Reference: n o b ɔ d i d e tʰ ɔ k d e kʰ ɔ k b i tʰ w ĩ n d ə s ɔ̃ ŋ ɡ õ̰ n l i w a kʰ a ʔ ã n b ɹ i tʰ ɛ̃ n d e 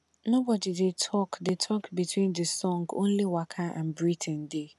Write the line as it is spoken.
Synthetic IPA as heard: n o b ɔ d i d e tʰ ɔ k d e tʰ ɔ k b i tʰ w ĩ n d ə s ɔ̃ ŋ ɡ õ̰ n l i w a kʰ a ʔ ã n b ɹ i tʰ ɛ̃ n d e